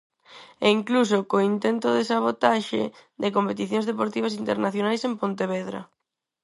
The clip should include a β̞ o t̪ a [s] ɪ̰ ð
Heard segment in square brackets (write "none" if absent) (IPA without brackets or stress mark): ʃ